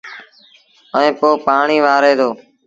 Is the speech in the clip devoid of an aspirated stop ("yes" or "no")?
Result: yes